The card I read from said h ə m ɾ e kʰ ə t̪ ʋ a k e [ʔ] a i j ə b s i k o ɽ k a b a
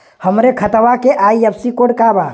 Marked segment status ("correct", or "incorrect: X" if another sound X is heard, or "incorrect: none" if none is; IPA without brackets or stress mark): correct